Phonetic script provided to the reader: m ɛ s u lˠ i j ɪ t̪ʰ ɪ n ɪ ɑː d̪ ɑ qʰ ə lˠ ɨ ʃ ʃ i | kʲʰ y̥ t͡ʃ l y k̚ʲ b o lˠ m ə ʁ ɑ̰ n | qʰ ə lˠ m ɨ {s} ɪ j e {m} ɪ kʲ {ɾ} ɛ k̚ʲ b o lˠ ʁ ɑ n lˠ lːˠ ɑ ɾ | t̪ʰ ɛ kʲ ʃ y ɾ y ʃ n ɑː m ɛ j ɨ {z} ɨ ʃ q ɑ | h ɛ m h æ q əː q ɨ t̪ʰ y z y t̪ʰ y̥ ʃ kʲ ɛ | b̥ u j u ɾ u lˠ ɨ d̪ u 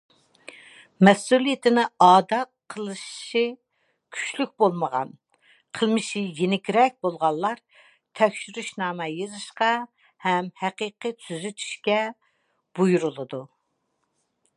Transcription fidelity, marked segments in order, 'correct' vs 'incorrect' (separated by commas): incorrect, incorrect, correct, correct